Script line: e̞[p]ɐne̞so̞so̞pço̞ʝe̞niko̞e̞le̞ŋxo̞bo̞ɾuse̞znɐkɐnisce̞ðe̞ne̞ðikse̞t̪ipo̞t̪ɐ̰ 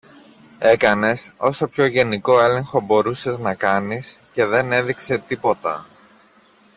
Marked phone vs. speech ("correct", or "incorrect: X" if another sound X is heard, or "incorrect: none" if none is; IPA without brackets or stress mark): incorrect: k